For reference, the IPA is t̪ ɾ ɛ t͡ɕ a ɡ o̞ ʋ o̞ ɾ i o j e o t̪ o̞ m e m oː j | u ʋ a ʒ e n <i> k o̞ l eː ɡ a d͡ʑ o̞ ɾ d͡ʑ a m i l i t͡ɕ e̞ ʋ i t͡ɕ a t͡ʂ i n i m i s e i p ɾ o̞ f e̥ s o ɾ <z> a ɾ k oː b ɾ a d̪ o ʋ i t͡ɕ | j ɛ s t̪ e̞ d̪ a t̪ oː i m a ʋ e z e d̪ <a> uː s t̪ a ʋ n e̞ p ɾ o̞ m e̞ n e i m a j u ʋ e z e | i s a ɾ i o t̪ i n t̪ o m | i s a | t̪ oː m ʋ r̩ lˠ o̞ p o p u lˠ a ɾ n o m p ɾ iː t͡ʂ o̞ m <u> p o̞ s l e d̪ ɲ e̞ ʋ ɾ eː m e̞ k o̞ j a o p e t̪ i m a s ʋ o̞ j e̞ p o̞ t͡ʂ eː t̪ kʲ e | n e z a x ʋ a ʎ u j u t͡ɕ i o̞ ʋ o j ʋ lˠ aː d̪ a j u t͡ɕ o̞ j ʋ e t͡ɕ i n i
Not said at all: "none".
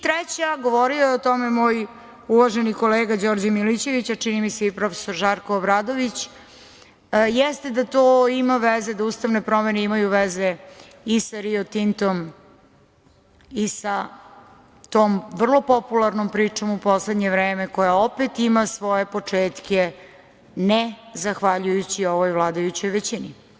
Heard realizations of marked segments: i, ʒ, a, u

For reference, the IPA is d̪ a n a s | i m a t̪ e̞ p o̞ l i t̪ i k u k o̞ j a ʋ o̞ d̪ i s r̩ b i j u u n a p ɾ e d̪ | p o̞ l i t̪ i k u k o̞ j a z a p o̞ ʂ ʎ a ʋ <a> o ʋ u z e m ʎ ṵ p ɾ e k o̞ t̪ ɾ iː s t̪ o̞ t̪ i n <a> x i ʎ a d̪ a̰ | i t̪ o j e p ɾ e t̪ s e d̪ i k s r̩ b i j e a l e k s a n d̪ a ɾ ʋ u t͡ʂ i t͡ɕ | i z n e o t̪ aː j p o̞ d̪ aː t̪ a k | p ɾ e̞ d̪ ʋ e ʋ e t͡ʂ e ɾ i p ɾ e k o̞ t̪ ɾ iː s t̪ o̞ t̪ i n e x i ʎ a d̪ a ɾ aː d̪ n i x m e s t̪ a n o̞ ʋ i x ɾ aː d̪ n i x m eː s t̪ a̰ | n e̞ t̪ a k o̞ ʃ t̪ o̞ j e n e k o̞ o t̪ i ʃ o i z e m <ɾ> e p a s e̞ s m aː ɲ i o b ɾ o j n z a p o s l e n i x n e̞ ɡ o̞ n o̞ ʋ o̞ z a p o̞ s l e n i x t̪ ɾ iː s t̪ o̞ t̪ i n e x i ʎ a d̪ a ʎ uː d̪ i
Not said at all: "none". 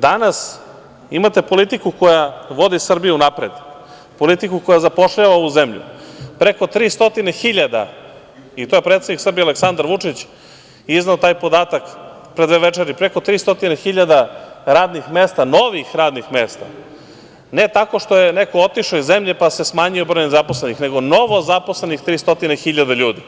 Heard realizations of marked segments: a, e, ʎ

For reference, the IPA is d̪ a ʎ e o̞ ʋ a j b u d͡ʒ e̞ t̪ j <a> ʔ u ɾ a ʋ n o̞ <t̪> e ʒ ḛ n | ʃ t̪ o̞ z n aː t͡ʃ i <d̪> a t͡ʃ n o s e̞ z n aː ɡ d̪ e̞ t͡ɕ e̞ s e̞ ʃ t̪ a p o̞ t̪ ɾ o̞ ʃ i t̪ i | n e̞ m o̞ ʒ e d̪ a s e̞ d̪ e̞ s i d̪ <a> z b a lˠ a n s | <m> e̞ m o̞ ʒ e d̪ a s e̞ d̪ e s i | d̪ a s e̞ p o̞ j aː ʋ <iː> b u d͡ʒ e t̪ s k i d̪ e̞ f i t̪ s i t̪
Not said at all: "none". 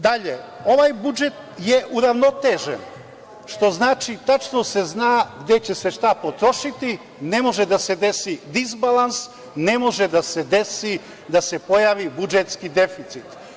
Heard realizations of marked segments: e, t̪, t̪, i, n, i

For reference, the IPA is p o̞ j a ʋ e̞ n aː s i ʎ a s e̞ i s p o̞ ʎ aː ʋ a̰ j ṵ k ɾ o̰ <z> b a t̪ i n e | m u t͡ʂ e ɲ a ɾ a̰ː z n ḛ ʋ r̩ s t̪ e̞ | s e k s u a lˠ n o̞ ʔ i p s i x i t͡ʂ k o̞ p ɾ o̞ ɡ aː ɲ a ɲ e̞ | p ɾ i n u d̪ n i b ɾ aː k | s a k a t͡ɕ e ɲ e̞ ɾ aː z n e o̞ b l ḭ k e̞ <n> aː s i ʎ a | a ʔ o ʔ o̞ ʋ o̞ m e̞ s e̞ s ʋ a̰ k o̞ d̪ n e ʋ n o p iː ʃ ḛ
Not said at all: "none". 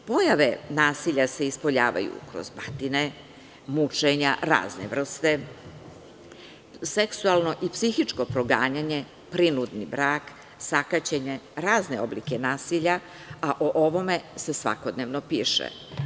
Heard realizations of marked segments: z, n

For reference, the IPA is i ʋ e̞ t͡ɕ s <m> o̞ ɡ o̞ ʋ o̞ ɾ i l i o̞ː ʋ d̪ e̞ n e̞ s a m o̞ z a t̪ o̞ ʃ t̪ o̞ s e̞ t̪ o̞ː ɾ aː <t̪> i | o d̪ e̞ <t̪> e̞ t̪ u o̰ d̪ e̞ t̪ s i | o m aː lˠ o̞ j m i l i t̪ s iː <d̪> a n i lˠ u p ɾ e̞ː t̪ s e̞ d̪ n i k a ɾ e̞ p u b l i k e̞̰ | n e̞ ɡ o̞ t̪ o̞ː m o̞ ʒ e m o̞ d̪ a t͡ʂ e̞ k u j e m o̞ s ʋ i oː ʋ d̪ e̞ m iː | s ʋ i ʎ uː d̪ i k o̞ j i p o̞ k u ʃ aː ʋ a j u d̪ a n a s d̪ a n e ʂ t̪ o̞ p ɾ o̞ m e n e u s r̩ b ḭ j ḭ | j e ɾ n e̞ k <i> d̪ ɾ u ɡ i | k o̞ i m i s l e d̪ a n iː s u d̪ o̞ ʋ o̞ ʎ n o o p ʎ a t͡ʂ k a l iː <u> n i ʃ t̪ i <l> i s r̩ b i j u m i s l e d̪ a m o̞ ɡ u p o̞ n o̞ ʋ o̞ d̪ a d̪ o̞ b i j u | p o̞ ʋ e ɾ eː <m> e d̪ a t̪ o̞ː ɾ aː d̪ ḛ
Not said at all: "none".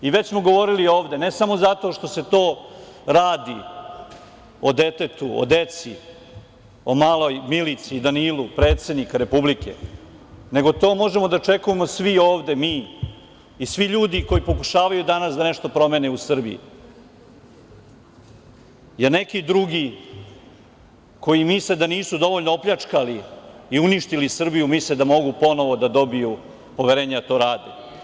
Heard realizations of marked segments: m, d̪, t̪, d̪, i, u, l, ɲ

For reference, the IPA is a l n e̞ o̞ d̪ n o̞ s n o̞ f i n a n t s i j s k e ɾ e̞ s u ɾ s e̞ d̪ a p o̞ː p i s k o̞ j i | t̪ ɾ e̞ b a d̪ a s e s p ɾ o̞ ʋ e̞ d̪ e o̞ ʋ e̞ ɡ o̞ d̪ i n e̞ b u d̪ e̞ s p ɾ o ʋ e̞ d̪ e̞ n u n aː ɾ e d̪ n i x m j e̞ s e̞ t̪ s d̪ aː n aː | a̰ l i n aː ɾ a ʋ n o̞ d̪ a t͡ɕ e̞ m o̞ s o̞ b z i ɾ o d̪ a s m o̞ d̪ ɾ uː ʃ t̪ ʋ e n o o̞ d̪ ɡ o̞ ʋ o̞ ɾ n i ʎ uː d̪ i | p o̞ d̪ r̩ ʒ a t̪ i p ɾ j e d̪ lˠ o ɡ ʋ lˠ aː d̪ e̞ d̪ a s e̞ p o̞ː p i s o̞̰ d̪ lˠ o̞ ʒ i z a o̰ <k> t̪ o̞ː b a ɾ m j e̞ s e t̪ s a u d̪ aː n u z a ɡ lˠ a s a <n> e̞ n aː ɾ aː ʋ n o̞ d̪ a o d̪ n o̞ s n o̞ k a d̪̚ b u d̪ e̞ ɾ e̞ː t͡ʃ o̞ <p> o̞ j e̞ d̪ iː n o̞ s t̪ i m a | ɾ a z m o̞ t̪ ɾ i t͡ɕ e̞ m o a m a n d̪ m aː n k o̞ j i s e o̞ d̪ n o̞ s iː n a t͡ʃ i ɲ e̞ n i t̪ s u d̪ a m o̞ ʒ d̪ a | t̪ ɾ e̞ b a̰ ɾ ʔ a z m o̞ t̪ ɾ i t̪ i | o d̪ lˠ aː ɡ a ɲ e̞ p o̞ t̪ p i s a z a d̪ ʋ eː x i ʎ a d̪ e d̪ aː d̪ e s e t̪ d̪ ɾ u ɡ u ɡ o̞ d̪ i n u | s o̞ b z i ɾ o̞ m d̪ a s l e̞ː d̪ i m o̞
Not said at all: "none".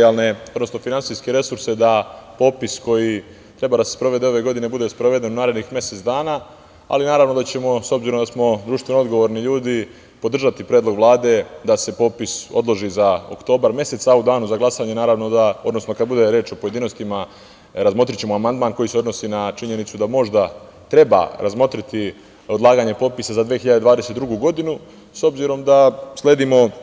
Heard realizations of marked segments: k, ɲ, p

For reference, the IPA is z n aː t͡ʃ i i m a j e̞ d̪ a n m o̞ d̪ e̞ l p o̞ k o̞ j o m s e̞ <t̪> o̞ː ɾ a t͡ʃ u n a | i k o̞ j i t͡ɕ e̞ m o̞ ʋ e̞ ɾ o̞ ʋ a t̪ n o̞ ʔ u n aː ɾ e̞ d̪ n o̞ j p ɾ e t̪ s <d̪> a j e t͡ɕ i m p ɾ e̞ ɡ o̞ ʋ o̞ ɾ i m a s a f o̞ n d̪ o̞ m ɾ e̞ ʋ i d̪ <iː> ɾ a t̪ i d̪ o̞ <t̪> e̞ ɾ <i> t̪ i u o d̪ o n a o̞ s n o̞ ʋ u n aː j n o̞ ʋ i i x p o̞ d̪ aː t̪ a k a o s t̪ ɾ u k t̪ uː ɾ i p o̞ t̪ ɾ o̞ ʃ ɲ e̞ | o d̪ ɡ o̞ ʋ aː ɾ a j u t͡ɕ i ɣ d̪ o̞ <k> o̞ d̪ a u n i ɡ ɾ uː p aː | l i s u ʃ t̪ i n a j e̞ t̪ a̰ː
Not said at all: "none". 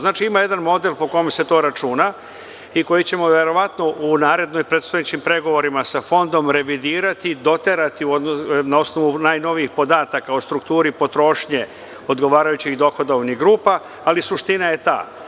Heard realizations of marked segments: t̪, t̪, iː, t̪, a, x

